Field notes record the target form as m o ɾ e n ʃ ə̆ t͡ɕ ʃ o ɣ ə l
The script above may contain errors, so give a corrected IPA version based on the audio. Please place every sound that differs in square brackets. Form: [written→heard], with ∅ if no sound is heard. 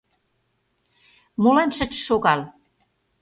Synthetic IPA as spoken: m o [ɾ→l] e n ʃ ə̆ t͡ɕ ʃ o ɣ [ə→ɑ] l